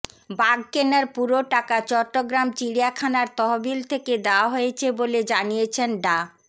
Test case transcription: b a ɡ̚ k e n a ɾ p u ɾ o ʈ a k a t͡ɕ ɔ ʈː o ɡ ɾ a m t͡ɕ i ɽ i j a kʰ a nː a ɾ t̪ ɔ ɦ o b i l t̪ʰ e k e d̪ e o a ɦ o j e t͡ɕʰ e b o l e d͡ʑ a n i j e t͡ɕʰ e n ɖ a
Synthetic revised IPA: b a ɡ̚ k e n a ɾ p u ɾ o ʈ a k a t͡ɕ ɔ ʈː o ɡ ɾ a m t͡ɕ i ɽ i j a kʰ a n a ɾ t̪ ɔ ɦ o b i l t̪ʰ e k e d̪ e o a ɦ o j e t͡ɕʰ e b o l e d͡ʑ a n i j e t͡ɕʰ e n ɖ a